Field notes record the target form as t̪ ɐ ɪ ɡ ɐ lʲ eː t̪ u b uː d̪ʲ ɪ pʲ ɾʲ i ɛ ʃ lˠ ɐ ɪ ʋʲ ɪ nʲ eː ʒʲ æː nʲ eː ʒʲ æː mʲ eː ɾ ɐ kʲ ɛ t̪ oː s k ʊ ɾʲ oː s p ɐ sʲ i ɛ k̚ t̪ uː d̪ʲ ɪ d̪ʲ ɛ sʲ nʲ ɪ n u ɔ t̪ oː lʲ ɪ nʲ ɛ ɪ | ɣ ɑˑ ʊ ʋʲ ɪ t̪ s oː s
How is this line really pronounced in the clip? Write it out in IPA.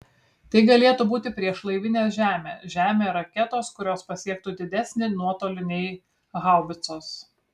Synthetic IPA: t̪ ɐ ɪ ɡ ɐ lʲ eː t̪ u b uː t̪ʲ ɪ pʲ ɾʲ i ɛ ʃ lˠ ɐ ɪ ʋʲ ɪ nʲ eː ʒʲ æː mʲ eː ʒʲ æː mʲ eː ɾ ɐ kʲ ɛ t̪ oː s k ʊ ɾʲ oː s p ɐ sʲ i ɛ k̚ t̪ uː d̪ʲ ɪ d̪ʲ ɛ sʲ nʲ ɪ n u ɔ t̪ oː lʲ ɪ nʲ ɛ ɪ | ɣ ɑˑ ʊ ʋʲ ɪ t̪ s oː s